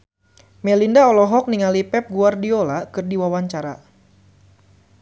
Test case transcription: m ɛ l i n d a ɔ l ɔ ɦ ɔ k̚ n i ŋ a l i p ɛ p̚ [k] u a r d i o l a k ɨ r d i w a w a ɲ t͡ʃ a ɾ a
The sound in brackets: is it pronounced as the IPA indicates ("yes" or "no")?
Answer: no